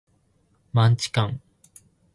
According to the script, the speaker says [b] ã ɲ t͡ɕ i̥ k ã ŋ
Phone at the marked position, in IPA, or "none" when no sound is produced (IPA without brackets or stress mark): m